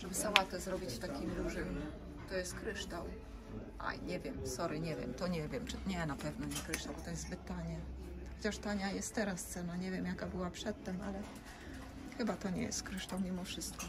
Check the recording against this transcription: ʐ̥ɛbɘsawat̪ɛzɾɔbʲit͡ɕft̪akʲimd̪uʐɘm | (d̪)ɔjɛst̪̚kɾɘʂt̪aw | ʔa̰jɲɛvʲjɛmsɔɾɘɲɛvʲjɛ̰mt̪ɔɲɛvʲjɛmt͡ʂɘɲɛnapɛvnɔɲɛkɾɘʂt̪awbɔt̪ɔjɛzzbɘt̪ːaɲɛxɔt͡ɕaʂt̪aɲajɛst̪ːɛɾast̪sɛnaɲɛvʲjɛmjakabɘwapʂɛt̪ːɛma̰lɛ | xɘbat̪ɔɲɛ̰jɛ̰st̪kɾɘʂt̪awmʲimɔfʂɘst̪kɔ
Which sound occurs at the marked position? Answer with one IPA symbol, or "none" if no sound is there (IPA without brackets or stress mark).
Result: t̪